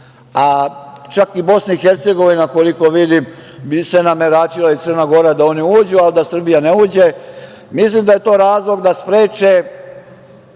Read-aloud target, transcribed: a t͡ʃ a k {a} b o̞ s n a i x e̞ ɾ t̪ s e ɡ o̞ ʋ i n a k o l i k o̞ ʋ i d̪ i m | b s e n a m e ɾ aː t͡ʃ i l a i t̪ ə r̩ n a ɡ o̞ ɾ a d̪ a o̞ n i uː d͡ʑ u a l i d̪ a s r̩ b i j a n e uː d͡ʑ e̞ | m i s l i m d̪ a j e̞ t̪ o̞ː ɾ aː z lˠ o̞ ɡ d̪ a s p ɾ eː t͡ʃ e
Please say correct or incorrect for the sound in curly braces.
incorrect